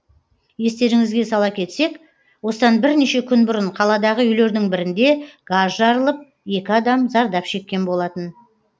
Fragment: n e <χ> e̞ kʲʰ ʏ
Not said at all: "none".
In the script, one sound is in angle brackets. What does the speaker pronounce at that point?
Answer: ʃ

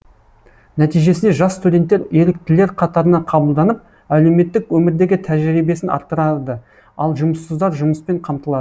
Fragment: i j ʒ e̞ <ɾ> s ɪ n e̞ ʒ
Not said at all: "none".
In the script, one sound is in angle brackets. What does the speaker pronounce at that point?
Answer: none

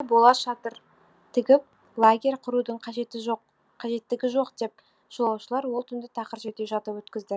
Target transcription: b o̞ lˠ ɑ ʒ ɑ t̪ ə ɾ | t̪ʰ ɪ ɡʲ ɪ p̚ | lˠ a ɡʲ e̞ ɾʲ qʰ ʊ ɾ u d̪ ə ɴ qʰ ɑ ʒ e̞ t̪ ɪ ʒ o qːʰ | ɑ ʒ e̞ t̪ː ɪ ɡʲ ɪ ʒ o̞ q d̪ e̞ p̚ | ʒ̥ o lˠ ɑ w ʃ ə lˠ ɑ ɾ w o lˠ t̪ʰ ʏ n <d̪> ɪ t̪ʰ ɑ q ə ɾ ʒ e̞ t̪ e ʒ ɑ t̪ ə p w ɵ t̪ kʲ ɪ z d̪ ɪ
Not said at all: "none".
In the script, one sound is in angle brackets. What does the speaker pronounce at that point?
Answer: d̪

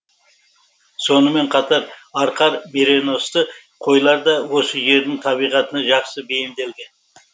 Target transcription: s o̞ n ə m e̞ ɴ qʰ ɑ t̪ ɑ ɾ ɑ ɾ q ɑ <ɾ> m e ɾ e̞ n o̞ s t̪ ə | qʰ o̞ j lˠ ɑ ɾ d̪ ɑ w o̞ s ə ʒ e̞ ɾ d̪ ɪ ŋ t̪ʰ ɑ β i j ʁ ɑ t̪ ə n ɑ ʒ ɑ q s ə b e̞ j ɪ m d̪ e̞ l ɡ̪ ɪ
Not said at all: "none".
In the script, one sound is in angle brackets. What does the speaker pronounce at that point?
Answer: ɾ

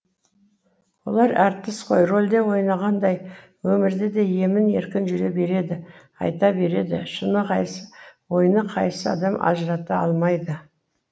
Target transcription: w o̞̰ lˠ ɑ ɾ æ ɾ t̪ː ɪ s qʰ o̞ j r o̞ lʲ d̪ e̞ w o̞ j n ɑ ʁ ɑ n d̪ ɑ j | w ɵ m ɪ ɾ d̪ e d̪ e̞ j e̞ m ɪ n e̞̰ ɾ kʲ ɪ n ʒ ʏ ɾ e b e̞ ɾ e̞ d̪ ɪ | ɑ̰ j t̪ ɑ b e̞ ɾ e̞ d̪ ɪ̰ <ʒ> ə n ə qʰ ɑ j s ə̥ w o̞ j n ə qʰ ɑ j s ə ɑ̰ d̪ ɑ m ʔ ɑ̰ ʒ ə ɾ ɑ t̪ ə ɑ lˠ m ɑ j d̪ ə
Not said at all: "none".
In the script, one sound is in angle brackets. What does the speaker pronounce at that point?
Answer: ʃ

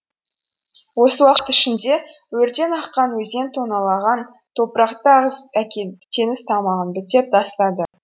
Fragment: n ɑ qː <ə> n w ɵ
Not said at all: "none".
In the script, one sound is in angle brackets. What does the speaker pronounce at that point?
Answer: ɑ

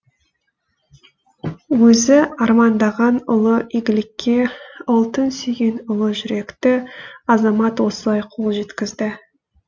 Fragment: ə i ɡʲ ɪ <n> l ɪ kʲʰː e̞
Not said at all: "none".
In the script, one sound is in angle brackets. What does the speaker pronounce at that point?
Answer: none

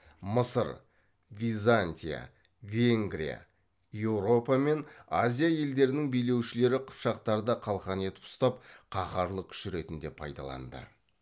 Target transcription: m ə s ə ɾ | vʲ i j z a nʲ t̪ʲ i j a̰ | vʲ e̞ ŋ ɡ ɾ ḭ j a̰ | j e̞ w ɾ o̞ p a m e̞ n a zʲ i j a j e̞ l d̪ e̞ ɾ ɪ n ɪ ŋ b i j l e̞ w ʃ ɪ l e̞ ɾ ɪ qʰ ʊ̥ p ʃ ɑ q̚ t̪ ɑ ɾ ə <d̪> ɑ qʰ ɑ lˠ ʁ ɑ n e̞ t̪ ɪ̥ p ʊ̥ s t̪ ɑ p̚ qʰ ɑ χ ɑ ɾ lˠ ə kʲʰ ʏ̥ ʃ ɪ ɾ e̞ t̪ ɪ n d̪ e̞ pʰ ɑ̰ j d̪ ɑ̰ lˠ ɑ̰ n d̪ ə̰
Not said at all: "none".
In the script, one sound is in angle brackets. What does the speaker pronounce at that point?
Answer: d̪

